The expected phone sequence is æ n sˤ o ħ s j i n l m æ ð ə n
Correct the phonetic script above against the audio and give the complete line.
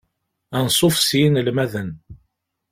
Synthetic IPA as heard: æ n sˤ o f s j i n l m æ ð ə n